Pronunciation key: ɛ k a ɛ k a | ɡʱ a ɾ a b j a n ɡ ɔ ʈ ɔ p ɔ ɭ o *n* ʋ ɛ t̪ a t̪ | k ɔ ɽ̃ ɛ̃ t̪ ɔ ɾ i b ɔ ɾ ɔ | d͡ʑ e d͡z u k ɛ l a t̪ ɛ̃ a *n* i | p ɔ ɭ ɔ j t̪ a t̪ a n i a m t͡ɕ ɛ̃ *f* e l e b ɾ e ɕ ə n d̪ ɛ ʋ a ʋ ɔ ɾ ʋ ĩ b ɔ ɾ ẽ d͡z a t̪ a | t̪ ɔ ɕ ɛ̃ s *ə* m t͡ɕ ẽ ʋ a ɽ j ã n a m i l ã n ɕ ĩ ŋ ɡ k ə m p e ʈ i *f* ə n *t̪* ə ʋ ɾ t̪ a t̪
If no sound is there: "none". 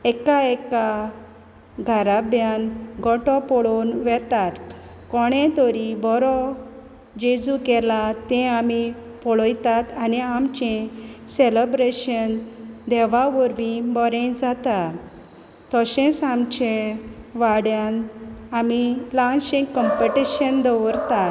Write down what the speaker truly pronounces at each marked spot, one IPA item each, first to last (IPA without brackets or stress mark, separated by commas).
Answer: n, m, s, a, ɕ, d̪